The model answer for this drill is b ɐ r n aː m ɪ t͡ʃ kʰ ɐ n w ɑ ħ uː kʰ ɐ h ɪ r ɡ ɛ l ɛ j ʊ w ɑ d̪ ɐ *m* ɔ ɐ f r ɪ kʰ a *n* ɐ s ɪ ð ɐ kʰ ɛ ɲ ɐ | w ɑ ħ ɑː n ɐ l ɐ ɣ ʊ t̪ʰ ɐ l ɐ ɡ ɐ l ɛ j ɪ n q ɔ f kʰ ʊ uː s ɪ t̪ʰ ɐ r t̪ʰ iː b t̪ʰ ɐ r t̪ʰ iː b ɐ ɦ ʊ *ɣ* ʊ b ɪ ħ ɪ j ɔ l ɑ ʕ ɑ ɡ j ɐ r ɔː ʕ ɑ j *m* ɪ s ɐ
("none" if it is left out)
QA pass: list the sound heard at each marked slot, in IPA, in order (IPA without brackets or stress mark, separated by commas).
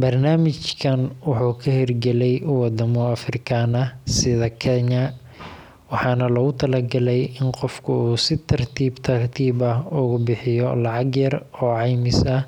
m, n, ɣ, m